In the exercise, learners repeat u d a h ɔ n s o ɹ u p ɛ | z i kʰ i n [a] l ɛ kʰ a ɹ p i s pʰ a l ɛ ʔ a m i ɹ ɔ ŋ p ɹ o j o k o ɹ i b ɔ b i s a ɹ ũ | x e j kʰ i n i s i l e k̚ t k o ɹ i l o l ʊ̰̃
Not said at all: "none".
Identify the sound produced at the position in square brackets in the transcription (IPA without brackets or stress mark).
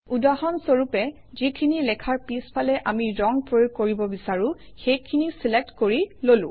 i